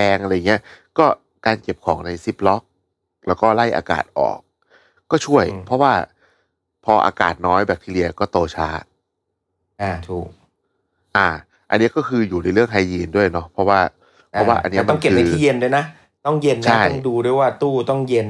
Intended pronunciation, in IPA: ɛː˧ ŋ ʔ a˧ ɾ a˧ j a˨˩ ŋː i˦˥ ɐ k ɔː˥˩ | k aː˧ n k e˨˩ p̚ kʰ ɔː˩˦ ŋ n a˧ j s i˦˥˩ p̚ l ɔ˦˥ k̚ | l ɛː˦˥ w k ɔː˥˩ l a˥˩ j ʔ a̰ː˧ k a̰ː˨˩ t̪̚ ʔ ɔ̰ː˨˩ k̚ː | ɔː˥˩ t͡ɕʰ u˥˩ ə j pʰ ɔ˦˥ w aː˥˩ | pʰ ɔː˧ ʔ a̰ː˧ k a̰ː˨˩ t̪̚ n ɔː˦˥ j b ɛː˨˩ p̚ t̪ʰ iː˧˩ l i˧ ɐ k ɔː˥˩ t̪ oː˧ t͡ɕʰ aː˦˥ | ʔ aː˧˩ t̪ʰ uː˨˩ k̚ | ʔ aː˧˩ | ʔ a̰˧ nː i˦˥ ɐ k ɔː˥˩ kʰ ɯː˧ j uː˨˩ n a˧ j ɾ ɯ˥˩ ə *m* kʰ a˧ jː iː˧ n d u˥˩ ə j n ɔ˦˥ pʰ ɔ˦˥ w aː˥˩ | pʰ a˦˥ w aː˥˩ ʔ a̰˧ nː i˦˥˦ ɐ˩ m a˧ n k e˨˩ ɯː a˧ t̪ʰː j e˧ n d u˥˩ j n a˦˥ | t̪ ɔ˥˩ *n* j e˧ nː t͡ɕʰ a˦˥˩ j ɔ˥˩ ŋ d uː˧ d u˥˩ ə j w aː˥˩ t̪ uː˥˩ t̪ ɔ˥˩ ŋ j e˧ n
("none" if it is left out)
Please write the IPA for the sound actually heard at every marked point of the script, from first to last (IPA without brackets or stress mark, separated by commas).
ŋ, ŋ